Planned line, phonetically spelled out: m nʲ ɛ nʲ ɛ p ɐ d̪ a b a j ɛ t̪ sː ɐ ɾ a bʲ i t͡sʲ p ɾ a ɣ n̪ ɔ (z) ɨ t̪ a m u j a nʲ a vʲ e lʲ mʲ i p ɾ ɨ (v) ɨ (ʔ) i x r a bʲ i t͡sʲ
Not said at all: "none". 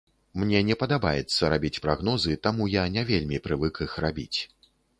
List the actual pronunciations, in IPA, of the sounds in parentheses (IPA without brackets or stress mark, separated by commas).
z, v, k